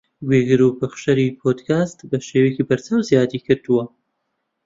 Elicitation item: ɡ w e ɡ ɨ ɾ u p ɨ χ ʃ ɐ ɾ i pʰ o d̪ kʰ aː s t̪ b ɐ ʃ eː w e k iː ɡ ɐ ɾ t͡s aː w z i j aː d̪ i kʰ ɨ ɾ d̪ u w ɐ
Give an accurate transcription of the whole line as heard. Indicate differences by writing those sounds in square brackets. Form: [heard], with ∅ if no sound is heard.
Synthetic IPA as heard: ɡ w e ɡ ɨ ɾ u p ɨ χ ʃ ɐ ɾ i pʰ o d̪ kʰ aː s t̪ b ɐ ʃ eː w e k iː [b] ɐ ɾ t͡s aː w z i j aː d̪ i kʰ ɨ ɾ d̪ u w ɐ